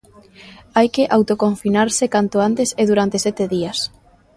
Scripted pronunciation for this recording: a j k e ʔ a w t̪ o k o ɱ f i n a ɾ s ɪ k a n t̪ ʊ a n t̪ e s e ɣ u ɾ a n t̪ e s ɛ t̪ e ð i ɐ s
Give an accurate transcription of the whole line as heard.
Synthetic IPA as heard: a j k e ʔ a w t̪ o k o ɱ f i n a ɾ s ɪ k a n t̪ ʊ a n t̪ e s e ð u ɾ a n t̪ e s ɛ t̪ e ð i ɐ s